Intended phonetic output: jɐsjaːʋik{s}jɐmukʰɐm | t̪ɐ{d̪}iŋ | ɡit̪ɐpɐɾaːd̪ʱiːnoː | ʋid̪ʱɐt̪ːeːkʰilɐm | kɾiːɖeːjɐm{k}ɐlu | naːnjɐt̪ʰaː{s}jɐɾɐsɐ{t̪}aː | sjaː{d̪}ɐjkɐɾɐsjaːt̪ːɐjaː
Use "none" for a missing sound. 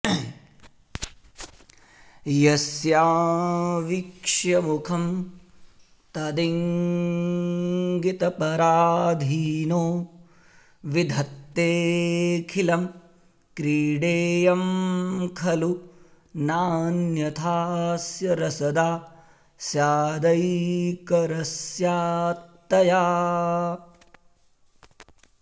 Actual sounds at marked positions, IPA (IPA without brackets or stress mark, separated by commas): ʂ, d̪, kʰ, s, d̪, d̪